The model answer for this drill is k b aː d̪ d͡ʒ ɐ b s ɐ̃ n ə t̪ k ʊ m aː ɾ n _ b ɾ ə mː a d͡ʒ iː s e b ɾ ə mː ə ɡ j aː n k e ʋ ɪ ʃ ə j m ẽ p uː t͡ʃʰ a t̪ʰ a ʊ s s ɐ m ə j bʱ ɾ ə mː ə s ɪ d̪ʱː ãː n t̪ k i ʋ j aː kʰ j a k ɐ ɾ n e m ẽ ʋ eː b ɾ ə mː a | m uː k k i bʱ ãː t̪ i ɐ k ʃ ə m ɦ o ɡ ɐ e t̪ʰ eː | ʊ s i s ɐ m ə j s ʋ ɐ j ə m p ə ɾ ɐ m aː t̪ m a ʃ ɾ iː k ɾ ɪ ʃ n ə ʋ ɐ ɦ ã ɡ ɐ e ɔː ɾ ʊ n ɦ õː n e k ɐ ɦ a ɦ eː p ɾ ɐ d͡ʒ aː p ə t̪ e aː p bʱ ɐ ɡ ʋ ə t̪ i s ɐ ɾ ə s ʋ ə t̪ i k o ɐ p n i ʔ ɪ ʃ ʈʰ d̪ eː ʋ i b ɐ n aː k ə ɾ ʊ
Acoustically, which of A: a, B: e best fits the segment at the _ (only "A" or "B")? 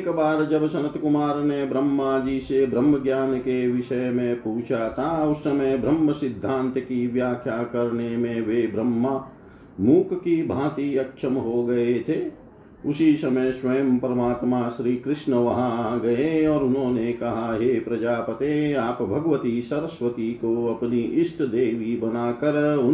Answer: B